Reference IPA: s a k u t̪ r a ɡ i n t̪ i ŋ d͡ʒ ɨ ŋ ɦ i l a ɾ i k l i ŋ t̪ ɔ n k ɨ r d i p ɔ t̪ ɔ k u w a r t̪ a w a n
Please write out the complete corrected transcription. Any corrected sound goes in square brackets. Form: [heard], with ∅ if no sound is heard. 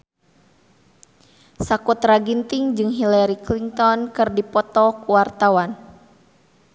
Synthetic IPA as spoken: s a k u t̪ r a ɡ i n t̪ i ŋ d͡ʒ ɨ ŋ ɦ i l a ɾ i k l i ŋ t̪ ɔ n k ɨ r d i p ɔ t̪ ɔ k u w a r t̪ a w a n